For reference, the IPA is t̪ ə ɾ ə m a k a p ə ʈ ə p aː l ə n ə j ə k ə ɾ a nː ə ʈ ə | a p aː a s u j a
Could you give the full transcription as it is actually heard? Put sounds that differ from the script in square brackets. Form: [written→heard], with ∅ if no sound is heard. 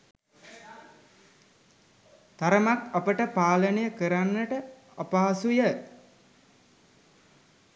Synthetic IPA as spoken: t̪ [ə→a] ɾ ə m a k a p ə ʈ ə p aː l ə n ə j ə k ə ɾ a nː ə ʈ ə | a p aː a s u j [a→ə]